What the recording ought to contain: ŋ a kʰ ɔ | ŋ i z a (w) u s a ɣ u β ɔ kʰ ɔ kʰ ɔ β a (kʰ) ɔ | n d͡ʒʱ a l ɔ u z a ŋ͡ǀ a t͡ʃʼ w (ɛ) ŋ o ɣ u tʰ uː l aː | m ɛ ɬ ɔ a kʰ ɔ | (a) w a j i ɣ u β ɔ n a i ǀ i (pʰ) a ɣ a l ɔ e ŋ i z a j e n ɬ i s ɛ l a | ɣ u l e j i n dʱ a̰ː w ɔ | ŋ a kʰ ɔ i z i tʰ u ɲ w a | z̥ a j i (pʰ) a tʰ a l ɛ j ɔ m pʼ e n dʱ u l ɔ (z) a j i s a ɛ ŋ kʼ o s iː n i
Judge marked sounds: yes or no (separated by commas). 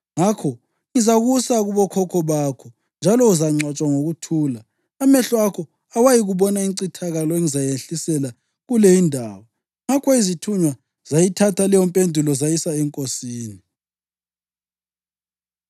no, yes, no, yes, no, no, yes